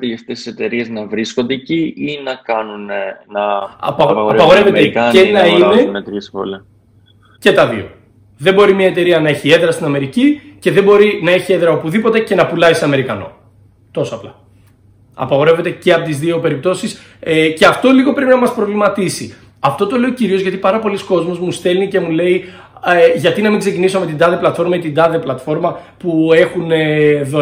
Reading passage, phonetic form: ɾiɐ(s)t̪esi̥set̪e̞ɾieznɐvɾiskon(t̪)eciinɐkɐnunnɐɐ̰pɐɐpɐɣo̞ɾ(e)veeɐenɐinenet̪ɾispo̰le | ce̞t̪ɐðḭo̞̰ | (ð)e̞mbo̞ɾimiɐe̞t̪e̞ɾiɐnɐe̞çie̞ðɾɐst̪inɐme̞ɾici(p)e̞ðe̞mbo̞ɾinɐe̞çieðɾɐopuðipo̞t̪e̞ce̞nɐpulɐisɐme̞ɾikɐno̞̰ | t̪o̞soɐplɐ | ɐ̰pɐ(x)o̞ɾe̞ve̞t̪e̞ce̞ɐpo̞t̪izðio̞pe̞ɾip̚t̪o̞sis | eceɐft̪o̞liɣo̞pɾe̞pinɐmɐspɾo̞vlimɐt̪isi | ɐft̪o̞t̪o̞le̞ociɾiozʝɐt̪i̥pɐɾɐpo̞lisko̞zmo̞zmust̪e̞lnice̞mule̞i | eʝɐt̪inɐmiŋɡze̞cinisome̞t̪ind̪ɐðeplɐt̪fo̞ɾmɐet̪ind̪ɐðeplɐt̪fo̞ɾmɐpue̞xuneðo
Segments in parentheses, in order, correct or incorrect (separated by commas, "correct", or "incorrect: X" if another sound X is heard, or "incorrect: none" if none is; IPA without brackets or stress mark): incorrect: f, incorrect: d̪, correct, correct, incorrect: c, incorrect: ɣ